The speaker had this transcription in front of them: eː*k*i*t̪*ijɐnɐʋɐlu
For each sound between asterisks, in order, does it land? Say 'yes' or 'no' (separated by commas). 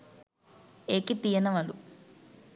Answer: yes, yes